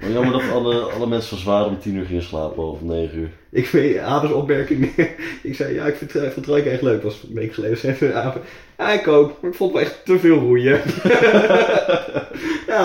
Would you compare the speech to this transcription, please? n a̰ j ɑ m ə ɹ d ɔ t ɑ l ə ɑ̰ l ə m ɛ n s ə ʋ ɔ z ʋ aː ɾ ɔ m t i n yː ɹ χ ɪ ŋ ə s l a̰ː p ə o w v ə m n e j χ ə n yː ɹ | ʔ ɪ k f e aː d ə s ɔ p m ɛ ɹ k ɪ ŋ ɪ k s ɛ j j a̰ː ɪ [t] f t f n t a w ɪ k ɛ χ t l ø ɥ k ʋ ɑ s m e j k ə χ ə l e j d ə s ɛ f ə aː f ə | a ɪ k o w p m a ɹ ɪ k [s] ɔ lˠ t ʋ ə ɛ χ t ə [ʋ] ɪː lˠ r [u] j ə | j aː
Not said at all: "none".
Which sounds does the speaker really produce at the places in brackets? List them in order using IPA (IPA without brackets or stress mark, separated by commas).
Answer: k, f, v, u